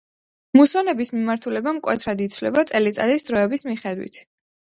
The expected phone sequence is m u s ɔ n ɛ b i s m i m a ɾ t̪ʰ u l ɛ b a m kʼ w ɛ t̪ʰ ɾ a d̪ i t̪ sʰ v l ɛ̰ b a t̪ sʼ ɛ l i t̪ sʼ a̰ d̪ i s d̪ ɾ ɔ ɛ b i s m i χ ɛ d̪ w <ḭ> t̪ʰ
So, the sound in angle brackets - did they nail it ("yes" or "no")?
yes